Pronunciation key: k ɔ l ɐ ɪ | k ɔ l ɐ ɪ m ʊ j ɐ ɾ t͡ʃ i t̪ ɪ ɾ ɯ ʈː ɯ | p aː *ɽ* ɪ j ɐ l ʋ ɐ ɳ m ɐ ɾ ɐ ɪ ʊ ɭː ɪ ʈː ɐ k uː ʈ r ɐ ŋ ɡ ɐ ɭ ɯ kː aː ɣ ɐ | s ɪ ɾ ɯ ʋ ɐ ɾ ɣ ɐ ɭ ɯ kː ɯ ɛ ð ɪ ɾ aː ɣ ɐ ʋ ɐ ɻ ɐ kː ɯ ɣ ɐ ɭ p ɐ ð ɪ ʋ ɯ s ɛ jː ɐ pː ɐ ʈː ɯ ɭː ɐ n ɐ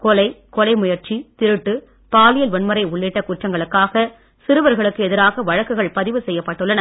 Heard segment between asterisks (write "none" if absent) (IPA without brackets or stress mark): l